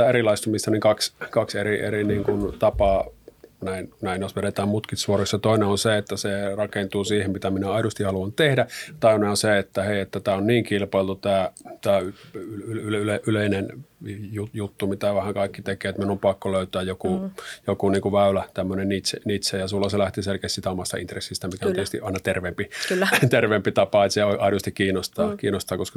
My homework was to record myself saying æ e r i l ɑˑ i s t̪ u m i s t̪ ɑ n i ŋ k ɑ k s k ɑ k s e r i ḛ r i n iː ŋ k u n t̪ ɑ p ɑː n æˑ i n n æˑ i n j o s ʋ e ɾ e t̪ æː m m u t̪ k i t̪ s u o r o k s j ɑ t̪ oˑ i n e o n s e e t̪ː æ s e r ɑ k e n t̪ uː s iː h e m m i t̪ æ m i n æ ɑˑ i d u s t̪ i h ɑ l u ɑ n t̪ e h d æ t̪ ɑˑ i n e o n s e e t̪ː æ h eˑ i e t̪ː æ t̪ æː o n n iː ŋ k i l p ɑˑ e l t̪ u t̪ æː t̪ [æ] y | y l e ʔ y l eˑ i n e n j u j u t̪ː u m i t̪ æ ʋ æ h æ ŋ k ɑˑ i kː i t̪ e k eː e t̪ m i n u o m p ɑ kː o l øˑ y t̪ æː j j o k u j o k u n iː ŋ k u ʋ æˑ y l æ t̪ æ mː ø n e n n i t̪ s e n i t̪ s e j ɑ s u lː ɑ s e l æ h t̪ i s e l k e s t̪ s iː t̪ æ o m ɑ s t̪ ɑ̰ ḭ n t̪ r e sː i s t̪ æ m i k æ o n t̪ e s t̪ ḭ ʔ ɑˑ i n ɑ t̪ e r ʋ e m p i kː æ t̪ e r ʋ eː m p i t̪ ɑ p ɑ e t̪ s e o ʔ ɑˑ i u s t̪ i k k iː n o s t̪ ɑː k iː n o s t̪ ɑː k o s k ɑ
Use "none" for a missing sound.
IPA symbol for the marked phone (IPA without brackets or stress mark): æː